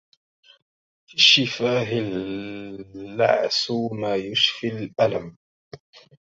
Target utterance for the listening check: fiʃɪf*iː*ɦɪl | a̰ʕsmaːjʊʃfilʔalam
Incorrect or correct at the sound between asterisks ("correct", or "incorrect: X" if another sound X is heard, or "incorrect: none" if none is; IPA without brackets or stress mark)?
incorrect: aː